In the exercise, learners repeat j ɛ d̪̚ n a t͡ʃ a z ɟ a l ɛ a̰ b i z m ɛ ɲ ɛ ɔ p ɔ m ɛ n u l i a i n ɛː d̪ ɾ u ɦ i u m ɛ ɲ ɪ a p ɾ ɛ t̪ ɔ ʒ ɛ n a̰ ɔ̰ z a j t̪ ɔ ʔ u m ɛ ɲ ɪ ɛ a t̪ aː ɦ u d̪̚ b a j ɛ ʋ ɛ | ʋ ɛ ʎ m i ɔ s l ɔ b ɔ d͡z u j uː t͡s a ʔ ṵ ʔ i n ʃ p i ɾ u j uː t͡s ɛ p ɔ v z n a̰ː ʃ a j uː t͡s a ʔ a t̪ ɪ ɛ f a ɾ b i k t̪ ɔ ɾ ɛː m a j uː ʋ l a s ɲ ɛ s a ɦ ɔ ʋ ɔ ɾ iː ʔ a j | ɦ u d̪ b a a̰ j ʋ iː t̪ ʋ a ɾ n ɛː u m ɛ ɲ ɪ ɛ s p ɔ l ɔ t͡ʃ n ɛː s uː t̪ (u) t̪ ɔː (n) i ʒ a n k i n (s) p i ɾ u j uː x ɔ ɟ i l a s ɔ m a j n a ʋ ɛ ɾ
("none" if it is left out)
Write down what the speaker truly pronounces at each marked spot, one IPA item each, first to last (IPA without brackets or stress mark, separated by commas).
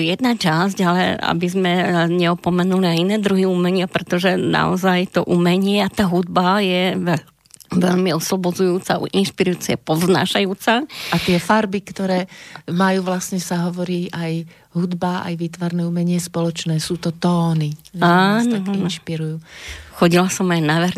ɔ, n, ʃ